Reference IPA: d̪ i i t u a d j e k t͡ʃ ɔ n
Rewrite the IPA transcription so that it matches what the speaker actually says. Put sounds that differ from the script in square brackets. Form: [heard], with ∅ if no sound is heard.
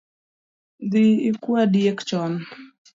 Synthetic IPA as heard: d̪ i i [k] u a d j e k t͡ʃ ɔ n

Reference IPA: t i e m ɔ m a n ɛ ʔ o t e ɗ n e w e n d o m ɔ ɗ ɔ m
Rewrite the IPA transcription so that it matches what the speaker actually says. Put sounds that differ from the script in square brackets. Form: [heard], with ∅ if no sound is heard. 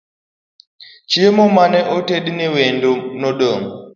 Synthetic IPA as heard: [t͡ʃ] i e m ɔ m a n ɛ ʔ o t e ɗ n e w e n d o [n] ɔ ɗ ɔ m

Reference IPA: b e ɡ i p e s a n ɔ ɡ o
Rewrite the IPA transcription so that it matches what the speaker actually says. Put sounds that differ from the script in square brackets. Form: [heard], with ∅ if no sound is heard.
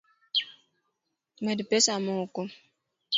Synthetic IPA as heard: [m] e [d] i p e s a [m] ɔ [k] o

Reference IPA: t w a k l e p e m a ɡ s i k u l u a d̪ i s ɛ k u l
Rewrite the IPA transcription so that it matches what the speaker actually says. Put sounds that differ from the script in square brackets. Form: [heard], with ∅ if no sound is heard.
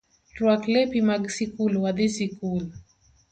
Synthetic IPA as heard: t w a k l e p [i] m a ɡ s i k u l [w] a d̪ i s [i] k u l

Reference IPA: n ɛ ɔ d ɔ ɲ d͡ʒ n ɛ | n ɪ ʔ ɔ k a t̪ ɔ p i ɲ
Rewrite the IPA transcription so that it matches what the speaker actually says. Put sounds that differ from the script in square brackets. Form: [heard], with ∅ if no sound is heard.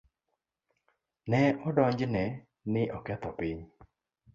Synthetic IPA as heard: n ɛ ɔ d ɔ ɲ d͡ʒ n ɛ | n ɪ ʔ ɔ k [ɛ] t̪ ɔ p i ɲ

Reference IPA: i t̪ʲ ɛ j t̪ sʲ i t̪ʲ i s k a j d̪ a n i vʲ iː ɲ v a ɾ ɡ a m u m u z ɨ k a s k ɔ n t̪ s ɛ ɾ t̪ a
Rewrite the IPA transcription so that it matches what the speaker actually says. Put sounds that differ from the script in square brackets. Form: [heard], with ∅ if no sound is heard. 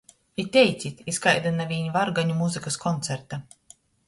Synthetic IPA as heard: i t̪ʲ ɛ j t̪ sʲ i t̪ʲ i s k a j d̪ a n [a] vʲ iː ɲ v a ɾ ɡ a [ɲ] u m u z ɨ k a s k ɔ n t̪ s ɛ ɾ t̪ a

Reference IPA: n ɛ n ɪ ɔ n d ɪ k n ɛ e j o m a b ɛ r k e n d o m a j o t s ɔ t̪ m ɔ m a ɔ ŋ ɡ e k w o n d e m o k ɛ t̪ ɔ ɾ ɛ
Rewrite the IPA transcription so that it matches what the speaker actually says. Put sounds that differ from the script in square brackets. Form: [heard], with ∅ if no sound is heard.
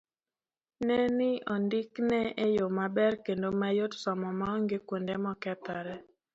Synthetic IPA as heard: n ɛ n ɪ ɔ n d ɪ k n ɛ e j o m a b ɛ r k e n d o m a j o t s ɔ [∅] m ɔ m a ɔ ŋ ɡ e k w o n d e m [ɔ] k ɛ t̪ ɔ ɾ ɛ

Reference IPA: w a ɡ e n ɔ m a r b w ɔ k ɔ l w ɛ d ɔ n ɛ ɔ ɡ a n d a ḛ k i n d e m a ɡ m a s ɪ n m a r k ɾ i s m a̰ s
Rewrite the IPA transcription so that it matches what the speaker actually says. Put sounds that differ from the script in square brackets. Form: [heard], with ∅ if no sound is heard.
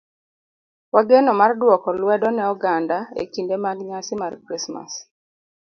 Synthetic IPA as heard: w a ɡ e n ɔ m a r [d] w ɔ k ɔ l w ɛ d ɔ n ɛ ɔ ɡ a n d a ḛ k i n d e m a ɡ [ɲ] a s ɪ [∅] m a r k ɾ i s m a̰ s

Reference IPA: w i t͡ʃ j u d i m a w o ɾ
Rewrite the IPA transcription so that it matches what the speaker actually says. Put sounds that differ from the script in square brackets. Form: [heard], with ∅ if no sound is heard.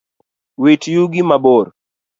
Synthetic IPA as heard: w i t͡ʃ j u [ɡ] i m a [b] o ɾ

